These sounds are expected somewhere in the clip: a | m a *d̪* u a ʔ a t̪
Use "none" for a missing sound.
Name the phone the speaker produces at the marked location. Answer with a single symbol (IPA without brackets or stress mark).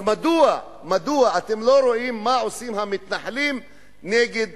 d̪